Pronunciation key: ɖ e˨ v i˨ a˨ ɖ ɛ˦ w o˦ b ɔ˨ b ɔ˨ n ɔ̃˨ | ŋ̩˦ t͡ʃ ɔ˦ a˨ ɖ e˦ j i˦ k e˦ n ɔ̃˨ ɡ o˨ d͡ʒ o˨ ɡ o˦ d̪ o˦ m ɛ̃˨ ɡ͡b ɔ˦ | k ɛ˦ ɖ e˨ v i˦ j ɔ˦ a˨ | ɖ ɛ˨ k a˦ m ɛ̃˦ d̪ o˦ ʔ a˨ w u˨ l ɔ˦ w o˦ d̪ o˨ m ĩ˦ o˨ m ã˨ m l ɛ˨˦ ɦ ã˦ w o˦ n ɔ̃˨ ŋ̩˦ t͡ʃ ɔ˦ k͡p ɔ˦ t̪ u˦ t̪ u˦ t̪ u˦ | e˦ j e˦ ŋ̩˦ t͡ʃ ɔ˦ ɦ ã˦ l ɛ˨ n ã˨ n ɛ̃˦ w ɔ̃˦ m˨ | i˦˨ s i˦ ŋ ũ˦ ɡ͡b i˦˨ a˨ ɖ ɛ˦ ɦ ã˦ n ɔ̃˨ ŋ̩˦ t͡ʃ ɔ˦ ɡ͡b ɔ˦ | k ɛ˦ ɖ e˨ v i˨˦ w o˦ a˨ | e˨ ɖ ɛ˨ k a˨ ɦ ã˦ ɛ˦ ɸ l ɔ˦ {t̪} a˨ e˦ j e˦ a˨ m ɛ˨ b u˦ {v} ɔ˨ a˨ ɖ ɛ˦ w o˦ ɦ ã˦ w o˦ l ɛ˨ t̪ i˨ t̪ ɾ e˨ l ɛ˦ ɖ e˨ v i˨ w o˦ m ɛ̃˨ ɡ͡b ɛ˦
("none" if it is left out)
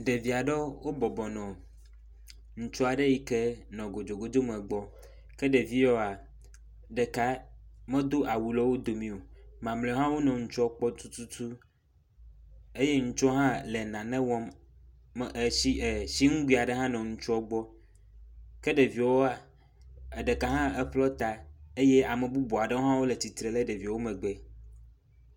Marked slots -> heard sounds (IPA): t̪, b

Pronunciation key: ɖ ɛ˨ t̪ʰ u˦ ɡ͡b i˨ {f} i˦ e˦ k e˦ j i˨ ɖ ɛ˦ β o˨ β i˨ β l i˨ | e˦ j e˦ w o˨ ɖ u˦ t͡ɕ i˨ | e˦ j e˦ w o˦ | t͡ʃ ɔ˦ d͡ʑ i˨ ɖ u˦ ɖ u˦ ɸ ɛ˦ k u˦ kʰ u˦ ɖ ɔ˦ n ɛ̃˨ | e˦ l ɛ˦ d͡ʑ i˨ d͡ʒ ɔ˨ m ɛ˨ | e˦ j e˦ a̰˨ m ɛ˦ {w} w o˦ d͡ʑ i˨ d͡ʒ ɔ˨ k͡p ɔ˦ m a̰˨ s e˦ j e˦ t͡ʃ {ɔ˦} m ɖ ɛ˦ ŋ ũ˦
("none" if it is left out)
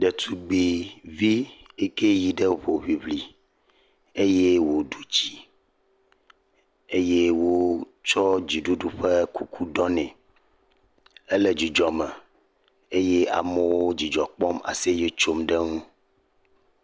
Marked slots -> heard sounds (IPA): v, w, o˦

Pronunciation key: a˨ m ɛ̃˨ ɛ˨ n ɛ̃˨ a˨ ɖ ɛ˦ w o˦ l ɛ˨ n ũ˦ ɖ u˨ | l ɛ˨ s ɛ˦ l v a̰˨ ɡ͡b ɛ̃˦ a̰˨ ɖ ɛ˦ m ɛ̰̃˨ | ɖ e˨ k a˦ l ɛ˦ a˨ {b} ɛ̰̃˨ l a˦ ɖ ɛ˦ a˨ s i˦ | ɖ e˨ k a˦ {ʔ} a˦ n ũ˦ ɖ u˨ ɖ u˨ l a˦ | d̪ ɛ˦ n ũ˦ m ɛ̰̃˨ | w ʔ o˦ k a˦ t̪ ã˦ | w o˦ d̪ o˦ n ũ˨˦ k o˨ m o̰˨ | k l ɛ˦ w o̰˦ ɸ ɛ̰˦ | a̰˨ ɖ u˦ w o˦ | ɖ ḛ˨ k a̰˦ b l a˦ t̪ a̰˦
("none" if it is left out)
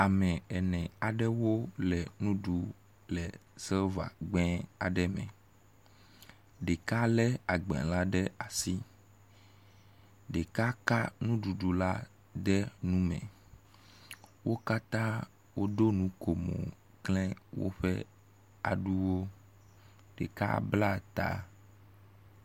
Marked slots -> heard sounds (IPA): ɡ͡b, k

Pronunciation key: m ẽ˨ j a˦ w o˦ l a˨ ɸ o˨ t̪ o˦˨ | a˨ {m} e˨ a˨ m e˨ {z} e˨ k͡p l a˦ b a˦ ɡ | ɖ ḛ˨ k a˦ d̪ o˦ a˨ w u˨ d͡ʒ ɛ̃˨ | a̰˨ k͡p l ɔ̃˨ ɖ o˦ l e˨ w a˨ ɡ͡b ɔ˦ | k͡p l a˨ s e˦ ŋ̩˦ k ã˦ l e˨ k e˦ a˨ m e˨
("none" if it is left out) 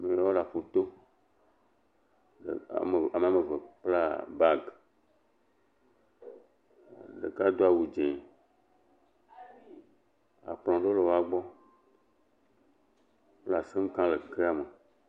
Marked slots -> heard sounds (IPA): m, v

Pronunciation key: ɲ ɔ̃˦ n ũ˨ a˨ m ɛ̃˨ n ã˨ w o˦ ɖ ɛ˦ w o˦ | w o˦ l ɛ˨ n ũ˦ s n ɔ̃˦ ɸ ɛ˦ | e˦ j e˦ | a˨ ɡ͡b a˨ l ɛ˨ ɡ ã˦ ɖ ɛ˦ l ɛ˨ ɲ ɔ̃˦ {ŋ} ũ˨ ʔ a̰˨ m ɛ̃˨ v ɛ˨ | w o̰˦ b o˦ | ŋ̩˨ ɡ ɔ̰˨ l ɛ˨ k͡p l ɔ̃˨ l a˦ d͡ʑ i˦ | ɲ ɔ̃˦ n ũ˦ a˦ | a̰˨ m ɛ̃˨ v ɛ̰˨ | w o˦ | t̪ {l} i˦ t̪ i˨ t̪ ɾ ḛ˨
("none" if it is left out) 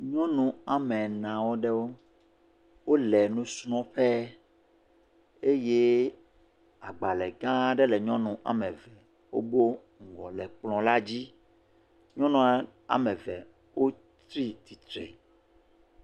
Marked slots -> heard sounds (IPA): n, ɾ

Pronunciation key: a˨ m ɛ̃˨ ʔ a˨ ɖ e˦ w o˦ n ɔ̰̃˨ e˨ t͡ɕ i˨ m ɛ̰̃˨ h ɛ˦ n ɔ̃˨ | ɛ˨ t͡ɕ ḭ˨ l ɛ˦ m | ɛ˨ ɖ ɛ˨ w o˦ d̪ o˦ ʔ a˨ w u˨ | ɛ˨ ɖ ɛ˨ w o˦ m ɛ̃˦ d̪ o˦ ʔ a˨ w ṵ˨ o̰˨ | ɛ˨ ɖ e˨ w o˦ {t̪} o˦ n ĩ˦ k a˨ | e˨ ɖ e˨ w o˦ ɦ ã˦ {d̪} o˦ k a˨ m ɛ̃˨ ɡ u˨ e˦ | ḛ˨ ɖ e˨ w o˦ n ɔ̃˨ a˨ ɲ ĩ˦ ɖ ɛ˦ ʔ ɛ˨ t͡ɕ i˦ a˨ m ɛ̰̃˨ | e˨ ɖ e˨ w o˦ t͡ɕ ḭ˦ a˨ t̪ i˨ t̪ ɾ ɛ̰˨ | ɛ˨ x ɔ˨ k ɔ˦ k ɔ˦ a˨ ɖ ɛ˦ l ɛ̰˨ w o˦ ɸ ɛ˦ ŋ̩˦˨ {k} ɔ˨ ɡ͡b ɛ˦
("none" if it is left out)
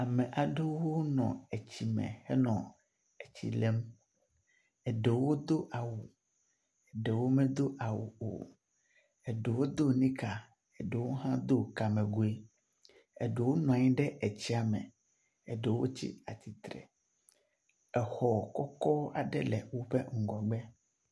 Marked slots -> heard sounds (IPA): d̪, d̪, ɡ

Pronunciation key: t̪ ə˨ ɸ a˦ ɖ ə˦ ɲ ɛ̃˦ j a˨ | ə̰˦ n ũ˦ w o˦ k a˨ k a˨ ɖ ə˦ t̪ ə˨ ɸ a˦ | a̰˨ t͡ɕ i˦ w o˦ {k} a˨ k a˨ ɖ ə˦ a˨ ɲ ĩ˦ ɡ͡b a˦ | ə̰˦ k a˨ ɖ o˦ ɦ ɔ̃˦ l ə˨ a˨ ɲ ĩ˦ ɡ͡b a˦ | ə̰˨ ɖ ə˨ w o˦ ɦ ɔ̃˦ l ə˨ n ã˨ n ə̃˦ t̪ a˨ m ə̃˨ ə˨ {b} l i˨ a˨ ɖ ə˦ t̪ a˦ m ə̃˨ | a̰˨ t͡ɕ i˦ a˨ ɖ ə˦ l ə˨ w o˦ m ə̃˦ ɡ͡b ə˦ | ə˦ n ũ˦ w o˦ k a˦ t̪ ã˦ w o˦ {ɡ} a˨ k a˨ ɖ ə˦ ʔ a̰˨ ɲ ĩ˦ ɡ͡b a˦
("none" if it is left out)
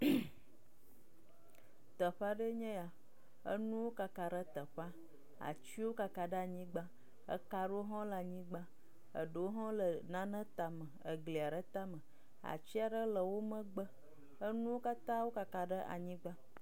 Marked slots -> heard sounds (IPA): k, ɡ, k

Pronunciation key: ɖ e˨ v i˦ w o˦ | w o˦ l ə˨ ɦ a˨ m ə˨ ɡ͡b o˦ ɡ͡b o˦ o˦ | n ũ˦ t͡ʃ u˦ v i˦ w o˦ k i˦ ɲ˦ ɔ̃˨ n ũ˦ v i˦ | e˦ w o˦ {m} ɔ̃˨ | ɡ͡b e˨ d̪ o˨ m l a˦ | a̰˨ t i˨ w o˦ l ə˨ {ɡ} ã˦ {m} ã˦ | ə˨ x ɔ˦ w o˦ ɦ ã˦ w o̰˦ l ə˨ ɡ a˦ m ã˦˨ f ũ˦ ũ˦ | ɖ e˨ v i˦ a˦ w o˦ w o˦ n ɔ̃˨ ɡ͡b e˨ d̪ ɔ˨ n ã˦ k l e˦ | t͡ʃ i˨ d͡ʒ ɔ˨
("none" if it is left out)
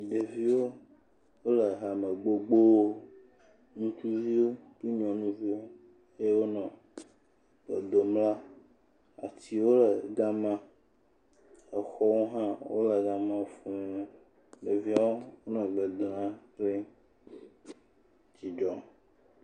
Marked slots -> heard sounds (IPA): n, ɡ, m

